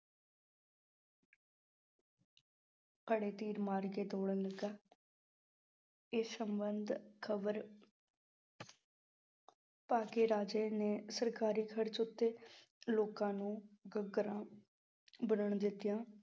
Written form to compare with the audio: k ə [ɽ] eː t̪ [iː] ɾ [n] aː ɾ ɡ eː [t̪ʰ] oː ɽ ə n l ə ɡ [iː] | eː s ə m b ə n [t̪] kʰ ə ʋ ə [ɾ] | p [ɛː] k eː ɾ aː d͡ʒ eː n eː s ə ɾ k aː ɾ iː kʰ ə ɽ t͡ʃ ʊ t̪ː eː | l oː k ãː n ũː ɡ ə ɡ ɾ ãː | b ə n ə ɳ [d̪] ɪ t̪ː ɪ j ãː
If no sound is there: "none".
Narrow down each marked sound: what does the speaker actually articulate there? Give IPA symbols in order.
ɽ, iː, m, t̪, aː, d̪, ɾ, aː, d̪

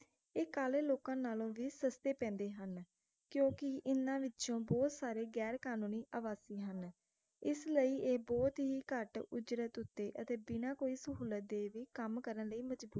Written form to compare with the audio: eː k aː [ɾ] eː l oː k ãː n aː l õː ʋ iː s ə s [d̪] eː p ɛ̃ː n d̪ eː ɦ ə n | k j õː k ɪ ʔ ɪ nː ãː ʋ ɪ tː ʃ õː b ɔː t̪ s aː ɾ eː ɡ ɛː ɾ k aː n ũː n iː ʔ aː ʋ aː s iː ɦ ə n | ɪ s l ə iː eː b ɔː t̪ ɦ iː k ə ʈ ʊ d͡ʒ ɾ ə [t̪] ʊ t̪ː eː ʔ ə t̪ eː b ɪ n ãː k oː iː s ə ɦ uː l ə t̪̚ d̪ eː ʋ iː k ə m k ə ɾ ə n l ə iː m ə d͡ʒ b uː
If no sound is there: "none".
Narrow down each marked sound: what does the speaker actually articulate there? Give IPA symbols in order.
l, t̪, t̪

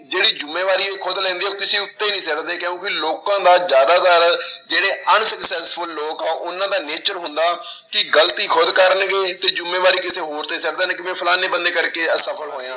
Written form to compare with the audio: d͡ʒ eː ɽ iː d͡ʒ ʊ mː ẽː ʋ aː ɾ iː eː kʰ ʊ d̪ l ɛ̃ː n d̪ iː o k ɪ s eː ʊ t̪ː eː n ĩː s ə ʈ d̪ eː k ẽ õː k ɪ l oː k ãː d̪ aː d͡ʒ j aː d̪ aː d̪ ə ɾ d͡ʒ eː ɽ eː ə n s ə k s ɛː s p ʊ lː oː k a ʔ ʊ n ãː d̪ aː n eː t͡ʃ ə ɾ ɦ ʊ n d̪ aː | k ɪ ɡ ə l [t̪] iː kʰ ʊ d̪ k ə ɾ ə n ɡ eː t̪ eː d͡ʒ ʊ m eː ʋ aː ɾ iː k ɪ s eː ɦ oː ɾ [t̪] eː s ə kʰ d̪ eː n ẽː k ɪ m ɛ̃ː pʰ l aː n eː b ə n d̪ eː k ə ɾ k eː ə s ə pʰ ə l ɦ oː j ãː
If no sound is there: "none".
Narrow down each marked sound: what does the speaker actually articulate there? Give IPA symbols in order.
t̪, t̪

